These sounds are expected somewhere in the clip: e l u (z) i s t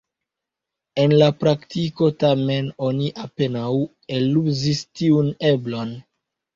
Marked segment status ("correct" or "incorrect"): correct